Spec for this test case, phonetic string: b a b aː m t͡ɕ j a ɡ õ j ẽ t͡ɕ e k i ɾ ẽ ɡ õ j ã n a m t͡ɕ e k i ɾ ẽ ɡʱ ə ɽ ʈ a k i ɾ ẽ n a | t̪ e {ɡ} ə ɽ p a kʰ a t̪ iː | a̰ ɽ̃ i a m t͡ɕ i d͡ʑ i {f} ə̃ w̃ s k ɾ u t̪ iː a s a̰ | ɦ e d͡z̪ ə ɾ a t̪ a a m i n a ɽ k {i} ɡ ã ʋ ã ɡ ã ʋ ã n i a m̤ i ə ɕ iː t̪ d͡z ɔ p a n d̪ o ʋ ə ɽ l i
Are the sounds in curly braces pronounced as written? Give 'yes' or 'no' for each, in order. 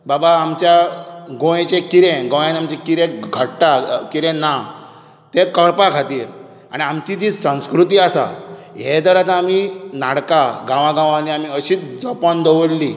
no, no, no

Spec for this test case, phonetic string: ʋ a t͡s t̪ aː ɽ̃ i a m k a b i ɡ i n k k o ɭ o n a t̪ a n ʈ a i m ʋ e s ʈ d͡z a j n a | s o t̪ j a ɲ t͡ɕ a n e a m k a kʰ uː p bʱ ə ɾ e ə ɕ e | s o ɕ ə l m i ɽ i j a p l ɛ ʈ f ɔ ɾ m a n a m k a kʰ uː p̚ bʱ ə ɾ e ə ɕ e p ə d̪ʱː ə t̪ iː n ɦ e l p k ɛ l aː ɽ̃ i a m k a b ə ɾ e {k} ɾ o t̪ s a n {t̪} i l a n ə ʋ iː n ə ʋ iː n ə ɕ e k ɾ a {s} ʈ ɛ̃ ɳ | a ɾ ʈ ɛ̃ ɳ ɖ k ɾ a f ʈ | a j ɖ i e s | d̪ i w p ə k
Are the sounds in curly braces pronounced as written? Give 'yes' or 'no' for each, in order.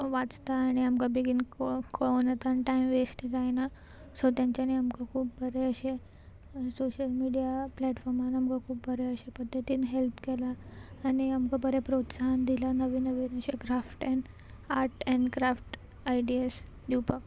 no, no, no

